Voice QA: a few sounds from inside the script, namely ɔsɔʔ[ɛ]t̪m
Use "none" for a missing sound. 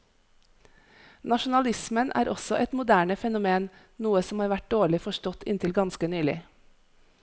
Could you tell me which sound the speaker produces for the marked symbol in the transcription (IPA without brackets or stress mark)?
ɛ